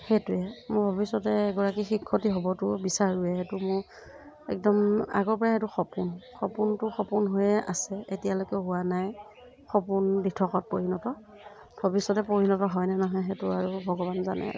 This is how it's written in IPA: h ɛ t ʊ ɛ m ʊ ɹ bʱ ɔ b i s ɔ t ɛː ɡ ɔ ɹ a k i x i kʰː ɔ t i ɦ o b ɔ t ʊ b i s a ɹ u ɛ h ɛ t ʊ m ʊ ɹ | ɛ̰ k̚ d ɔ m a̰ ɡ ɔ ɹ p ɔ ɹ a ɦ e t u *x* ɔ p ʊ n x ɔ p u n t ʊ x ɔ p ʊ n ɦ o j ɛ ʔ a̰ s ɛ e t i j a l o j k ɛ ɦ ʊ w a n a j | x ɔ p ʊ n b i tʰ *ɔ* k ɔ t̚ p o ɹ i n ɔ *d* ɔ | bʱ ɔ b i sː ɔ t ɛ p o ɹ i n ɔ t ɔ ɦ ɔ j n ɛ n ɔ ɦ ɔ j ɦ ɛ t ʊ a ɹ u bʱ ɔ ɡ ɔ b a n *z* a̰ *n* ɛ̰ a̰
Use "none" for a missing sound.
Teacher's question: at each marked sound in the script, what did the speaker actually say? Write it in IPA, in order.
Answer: x, ɔ, t, z, n

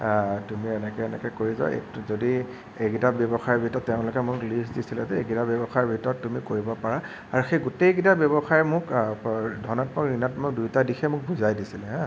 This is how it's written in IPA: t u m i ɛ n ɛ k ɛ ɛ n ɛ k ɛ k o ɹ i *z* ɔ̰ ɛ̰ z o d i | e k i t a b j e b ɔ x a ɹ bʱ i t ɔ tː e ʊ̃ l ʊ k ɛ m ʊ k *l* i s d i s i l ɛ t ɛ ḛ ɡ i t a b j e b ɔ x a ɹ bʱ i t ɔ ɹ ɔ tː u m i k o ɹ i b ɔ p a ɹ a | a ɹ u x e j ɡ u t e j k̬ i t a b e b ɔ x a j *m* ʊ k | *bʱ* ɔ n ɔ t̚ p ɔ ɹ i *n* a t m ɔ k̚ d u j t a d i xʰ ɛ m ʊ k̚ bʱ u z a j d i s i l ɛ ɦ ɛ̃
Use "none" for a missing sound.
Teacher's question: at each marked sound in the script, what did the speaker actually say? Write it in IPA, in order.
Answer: z, l, m, dʱ, n

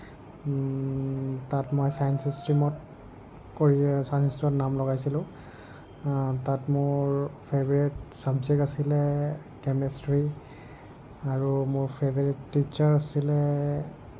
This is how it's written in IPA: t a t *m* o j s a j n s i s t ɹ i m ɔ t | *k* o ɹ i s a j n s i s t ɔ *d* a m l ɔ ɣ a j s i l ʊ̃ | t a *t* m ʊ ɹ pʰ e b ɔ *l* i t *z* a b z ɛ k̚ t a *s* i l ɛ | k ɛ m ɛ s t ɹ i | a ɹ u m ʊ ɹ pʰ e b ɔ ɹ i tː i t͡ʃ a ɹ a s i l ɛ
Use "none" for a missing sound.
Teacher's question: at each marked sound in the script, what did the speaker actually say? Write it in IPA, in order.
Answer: m, k, n, t, ɹ, s, s

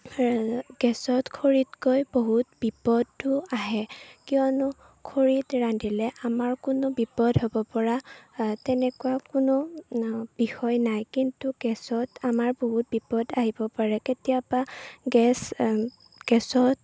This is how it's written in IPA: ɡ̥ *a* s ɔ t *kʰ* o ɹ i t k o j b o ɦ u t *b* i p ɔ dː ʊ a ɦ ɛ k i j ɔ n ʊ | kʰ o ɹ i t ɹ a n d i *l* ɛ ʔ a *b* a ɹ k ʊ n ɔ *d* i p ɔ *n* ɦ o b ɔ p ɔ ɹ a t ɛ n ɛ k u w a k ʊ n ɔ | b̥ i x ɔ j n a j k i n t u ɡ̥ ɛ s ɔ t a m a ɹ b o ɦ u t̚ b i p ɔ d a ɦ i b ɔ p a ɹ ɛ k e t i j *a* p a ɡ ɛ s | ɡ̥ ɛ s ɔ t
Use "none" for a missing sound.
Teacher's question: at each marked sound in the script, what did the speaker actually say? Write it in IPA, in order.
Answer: ɛ, kʰ, b, l, m, b, d, a

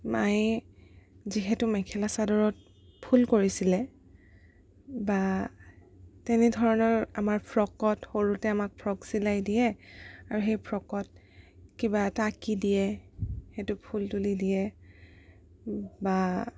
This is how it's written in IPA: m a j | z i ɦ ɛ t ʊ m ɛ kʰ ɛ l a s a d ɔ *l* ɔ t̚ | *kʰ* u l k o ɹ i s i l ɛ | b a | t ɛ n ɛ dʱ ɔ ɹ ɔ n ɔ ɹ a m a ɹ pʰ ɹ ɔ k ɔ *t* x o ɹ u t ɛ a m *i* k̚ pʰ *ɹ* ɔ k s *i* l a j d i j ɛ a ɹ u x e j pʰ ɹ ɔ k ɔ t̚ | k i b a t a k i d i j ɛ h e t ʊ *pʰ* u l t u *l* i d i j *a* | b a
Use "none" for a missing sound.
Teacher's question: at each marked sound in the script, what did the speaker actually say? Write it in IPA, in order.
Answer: ɹ, pʰ, t, a, ɹ, i, pʰ, l, ɛ

